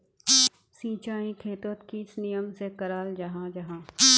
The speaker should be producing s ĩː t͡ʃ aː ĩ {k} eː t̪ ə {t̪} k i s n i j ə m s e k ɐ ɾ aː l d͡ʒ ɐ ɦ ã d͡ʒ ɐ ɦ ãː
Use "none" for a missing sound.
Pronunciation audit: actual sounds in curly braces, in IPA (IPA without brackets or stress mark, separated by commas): kʰ, t̪